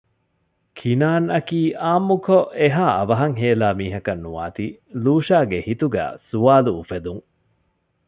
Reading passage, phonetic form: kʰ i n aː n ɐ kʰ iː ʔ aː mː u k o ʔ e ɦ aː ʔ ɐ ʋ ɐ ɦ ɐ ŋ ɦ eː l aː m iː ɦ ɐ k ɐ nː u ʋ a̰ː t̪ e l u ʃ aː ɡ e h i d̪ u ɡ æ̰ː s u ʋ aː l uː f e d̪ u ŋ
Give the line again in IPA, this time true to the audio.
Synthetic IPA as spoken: kʰ i n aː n ɐ k iː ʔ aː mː u k o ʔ e ɦ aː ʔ ɐ ʋ ɐ ɦ ɐ ŋ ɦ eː l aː m iː ɦ ɐ k ɐ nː u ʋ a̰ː t̪ i l uː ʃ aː ɡ e h i t̪ u ɡ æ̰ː s u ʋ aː l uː f e d̪ u ŋ